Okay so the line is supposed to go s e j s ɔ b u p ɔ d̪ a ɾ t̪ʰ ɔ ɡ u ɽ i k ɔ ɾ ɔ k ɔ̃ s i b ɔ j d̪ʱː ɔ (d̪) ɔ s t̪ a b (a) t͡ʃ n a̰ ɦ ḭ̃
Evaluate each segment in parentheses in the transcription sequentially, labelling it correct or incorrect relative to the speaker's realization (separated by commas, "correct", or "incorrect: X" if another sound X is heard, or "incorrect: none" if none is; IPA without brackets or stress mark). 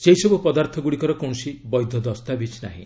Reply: correct, incorrect: i